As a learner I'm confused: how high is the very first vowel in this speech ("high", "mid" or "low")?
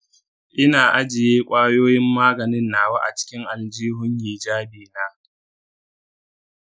high